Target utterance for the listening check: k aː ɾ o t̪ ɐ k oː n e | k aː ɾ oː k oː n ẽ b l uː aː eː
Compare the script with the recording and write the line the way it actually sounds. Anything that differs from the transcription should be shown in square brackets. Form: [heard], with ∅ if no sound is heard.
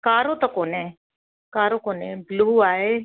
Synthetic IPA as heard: k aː ɾ o t̪ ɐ k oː n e | k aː ɾ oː k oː n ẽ b l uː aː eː